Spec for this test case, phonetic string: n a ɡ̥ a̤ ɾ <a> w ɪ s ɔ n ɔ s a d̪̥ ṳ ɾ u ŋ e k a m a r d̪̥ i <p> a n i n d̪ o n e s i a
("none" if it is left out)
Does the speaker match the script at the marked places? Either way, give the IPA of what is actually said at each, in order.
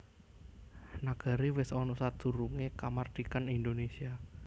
i, k

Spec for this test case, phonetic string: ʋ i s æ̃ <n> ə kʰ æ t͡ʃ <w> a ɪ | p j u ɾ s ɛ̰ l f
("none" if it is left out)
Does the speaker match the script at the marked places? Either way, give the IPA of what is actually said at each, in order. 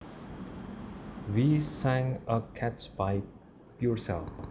ŋ, b

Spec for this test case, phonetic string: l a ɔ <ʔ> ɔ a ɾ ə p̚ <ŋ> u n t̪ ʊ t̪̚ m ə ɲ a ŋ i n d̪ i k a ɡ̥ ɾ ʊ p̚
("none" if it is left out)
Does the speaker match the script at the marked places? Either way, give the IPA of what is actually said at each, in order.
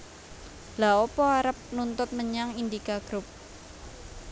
p, n

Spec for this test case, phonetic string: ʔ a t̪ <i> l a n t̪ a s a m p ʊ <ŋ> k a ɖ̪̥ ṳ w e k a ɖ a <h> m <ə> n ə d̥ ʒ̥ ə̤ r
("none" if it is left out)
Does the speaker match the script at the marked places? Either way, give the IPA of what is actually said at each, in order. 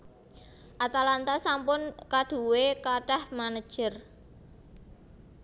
a, n, h, a

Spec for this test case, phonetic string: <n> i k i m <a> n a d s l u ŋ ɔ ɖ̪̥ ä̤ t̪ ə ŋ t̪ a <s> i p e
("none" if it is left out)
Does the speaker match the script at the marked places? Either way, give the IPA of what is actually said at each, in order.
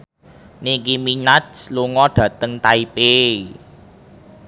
n, i, none

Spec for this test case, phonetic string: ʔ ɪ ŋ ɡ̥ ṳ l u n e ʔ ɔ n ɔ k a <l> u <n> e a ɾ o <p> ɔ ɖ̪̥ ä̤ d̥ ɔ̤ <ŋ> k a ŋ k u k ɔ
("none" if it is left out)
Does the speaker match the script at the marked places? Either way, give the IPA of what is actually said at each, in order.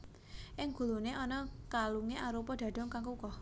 l, ŋ, p, ŋ

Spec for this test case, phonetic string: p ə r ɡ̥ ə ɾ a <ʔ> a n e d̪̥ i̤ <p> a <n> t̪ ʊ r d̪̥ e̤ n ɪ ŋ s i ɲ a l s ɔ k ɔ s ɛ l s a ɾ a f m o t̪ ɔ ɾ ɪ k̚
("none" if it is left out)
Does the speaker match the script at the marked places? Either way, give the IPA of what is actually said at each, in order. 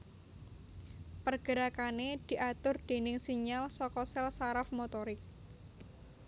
k, ʔ, none

